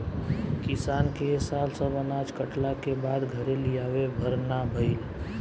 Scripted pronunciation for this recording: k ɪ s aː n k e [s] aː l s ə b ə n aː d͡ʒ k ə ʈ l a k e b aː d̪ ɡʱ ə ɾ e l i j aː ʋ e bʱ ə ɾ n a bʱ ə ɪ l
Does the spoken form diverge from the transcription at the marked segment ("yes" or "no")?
no